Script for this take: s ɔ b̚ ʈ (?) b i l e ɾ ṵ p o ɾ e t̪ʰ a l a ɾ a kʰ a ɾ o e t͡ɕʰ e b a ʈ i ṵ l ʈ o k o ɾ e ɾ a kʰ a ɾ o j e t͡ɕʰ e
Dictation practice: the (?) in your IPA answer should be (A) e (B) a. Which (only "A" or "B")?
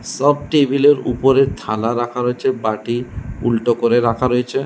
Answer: A